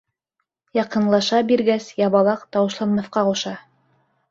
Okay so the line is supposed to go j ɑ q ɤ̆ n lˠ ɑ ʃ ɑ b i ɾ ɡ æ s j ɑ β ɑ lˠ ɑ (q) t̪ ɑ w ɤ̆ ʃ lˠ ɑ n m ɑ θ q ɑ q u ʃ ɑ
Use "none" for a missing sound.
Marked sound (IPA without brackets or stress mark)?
q